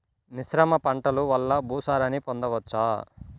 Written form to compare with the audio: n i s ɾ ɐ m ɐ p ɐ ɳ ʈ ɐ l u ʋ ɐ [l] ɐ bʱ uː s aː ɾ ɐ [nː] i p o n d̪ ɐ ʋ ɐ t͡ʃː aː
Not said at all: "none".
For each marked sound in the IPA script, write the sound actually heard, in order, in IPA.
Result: lː, n

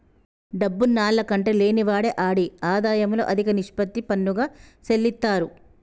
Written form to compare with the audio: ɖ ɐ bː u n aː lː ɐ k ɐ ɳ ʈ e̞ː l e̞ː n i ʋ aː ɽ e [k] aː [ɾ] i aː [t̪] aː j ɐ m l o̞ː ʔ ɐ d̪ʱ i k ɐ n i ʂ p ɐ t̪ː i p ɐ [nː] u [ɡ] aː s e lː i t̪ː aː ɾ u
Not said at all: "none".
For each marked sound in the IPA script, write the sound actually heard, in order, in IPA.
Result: ʔ, ɽ, d̪, nː, ɡ

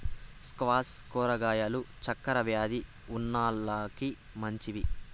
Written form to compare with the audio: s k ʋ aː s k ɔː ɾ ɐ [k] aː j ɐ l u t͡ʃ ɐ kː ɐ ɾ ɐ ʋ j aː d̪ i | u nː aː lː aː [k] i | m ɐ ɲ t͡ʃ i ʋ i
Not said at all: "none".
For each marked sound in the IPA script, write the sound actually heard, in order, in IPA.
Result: ɡ, k

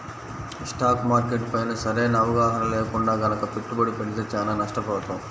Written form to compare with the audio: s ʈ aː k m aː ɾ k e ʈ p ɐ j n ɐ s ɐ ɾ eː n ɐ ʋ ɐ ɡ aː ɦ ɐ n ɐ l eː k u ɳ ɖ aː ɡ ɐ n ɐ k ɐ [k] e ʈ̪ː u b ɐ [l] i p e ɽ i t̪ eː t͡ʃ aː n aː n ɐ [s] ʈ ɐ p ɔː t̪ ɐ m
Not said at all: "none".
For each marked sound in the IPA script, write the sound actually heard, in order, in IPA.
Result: p, ɽ, ʂ

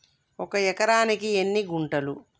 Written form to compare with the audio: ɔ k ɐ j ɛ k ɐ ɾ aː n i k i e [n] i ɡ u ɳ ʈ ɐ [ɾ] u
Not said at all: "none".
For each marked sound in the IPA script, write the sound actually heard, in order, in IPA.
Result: nː, l

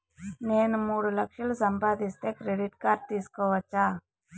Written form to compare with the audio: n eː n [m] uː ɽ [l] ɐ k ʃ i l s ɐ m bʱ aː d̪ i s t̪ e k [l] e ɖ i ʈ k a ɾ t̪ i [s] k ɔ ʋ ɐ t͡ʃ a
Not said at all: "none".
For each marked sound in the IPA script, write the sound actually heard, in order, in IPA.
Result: m, l, ɾ, s

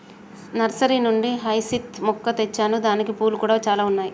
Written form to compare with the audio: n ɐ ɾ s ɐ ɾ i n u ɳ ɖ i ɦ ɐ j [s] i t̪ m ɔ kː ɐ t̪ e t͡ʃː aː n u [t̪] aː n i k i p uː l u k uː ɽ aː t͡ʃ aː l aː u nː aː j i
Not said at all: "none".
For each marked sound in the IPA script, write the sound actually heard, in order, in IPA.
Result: s, d̪

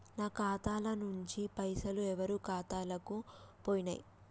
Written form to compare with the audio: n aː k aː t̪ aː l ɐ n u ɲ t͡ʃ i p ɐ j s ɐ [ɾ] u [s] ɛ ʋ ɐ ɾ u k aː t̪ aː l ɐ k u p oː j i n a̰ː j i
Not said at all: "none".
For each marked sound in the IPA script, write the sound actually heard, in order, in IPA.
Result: l, none

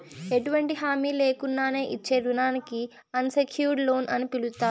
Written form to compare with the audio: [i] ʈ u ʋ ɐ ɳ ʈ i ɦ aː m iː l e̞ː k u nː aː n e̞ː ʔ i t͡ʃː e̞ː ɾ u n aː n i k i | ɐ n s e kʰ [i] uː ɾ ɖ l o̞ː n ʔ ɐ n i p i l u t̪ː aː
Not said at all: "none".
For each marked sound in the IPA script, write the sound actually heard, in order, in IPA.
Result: e, j

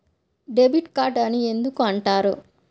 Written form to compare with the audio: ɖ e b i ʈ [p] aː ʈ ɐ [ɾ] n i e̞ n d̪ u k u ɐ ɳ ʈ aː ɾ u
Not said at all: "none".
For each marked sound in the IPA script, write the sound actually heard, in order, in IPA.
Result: k, none

